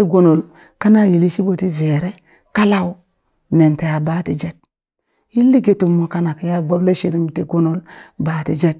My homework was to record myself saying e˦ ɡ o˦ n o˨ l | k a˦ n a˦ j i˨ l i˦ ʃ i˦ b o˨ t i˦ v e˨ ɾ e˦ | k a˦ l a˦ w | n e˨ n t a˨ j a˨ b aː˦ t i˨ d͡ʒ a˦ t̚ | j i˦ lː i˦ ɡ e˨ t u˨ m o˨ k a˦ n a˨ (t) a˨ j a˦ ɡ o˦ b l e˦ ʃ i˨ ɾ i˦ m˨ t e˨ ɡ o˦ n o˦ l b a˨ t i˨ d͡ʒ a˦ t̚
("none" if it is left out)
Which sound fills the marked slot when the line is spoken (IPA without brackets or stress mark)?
k